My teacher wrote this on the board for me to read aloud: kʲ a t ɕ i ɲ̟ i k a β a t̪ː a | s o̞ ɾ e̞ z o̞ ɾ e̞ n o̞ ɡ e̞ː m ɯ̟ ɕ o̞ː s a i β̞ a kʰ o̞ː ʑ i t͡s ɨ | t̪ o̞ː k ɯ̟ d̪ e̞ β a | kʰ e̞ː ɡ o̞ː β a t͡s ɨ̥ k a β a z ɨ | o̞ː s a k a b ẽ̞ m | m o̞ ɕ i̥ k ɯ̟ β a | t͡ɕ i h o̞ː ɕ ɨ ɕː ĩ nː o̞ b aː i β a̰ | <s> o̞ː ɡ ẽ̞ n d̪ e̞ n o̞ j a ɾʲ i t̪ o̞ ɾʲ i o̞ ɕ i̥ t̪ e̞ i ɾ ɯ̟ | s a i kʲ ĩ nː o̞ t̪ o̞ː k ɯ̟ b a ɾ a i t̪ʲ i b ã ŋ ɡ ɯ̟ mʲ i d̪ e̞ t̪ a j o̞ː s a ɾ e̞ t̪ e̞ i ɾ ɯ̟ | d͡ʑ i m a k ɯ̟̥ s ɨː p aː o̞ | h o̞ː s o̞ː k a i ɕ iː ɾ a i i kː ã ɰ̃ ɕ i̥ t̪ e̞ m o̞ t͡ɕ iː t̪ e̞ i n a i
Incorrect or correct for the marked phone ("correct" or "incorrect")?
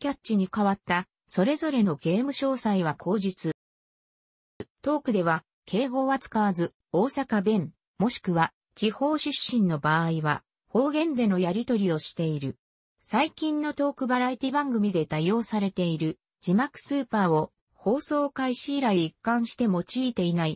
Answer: incorrect